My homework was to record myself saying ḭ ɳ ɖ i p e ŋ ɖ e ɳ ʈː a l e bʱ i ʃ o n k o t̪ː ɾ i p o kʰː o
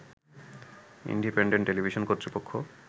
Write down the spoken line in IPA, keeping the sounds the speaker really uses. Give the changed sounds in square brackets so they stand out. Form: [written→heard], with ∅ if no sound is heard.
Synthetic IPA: ḭ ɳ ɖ i p e [ŋ→ɳ] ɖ e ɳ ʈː [a→e] l [e→i] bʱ i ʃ o n k o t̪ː ɾ i p o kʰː o